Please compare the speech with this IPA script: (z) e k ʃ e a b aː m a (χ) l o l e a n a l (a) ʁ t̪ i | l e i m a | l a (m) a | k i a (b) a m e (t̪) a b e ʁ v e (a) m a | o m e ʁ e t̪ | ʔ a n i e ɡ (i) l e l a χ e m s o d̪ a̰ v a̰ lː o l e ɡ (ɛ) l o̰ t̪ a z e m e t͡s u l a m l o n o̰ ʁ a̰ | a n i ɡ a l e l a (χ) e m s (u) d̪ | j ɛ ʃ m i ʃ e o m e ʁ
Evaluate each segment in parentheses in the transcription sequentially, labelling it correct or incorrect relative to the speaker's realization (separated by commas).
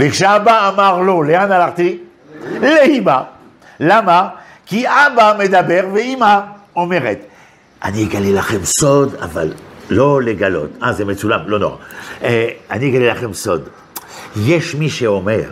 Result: incorrect, incorrect, correct, correct, correct, incorrect, incorrect, incorrect, incorrect, correct, incorrect